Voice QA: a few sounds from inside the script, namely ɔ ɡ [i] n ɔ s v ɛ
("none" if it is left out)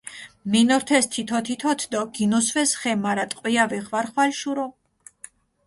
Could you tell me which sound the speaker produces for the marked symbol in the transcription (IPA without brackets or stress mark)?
i